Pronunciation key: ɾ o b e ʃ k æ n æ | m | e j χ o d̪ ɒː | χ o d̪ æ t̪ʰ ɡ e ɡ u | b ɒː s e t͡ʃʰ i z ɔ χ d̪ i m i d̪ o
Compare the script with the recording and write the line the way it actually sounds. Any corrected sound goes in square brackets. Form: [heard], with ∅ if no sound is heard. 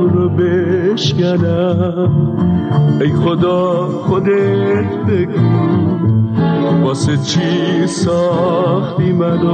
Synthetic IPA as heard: ɾ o b e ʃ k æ n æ | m | e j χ o d̪ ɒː | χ o d̪ [e] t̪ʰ [b] e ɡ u | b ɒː s e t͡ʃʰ i [s] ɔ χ [t̪] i m [æ] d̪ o